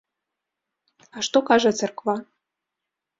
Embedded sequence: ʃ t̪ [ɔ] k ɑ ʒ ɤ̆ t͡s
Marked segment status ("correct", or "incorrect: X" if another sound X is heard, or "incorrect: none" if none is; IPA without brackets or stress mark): incorrect: o